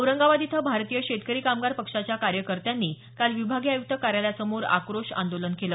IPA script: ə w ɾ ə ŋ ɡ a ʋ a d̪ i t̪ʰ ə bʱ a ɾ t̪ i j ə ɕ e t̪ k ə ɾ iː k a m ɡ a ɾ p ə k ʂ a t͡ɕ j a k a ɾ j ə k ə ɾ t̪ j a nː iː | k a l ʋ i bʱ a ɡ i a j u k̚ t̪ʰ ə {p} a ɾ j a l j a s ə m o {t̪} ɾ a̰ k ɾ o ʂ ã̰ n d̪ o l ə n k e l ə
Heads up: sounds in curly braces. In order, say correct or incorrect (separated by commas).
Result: incorrect, incorrect